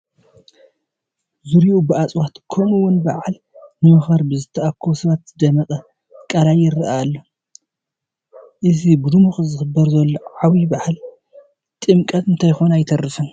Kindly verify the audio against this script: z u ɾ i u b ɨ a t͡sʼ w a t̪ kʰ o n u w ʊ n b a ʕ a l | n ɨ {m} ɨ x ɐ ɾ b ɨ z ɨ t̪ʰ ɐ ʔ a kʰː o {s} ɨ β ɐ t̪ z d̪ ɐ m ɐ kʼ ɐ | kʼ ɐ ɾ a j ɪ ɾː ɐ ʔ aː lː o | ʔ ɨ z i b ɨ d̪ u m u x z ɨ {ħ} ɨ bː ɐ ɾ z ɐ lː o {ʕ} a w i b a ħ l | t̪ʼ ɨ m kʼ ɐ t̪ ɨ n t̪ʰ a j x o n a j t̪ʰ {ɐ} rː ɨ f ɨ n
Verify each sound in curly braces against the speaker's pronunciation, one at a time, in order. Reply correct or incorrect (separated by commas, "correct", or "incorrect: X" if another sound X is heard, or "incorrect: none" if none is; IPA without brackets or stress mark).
correct, correct, incorrect: x, correct, correct